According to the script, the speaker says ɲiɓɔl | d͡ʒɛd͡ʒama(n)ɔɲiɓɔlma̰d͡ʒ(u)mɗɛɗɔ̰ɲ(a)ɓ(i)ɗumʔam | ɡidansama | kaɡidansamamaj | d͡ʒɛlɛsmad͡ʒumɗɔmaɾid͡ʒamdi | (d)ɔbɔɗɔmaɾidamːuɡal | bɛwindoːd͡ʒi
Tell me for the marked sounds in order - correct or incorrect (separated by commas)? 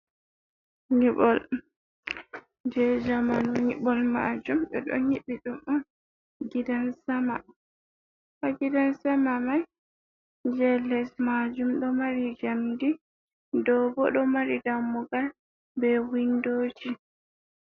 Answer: correct, correct, incorrect, correct, correct